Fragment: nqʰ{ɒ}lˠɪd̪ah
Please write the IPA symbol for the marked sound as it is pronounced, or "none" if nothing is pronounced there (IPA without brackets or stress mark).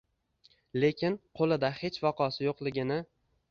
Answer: o